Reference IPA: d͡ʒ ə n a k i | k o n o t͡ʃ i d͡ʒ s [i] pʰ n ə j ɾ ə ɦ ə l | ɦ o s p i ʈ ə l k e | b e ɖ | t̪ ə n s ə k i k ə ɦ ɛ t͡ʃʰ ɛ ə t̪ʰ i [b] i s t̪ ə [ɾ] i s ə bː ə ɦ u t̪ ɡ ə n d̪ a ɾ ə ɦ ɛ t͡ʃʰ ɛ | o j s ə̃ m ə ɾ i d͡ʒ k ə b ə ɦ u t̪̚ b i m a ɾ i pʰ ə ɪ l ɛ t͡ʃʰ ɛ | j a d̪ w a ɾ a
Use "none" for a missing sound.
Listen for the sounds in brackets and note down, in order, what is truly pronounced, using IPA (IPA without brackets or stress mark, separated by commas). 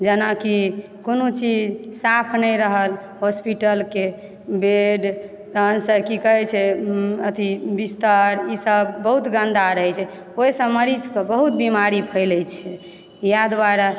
a, b, ɾ